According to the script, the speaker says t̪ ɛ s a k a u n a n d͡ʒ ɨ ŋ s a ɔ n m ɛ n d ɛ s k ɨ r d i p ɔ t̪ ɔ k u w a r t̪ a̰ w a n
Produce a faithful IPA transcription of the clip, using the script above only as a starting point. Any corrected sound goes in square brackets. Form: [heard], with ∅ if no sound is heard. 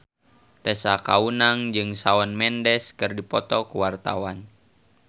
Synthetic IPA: t̪ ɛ s a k a u n a [ŋ] d͡ʒ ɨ ŋ s a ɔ n m ɛ n d ɛ s k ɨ r d i p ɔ t̪ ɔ k u w a r t̪ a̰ w a n

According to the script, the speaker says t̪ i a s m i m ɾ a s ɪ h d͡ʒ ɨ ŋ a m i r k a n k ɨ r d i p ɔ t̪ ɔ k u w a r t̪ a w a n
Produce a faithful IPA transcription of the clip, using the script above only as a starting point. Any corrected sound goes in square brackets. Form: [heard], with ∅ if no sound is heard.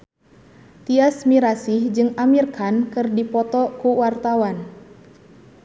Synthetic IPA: t̪ i a s m i [∅] ɾ a s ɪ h d͡ʒ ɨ ŋ a m i r k a n k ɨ r d i p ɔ t̪ ɔ k u w a r t̪ a w a n

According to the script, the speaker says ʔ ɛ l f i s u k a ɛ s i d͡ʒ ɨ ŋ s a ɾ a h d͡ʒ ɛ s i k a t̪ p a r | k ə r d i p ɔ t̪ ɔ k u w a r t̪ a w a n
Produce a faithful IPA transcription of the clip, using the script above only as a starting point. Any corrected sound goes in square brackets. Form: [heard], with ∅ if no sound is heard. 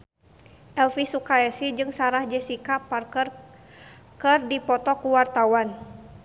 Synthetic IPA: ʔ ɛ l f i s u k a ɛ s i d͡ʒ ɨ ŋ s a ɾ a h d͡ʒ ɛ s i k a [∅] p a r | k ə r d i p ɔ t̪ ɔ k u w a r t̪ a w a n

